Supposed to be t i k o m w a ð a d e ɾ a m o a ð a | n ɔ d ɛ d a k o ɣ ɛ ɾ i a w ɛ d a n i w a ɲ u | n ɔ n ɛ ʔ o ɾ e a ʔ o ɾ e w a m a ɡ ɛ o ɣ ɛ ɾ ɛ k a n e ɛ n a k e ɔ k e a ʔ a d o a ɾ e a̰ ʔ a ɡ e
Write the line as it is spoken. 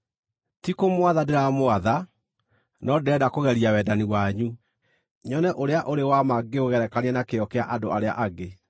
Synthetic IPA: t i k o m w a ð a d e ɾ a m o a ð a | n ɔ d ɛ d a k o ɣ ɛ ɾ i a w ɛ d a n i w a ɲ u | ɲ ɔ n ɛ ʔ o ɾ e a ʔ o ɾ e w a m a ɡ e o ɣ ɛ ɾ ɛ k a n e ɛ n a k e ɔ k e a ʔ a d o a ɾ e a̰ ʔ a ɡ e